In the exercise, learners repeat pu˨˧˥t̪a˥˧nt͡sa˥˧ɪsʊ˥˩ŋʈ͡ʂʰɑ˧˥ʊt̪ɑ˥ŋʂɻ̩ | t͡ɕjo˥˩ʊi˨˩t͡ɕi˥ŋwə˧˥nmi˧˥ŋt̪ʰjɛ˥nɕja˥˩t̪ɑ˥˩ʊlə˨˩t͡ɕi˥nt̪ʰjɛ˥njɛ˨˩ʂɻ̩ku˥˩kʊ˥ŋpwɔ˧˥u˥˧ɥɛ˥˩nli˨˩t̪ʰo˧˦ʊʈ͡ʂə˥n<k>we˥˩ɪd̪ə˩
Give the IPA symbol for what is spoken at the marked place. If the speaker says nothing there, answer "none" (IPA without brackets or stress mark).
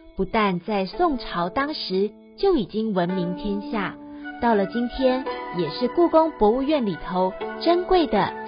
k